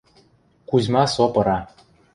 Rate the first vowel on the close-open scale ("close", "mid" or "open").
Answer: close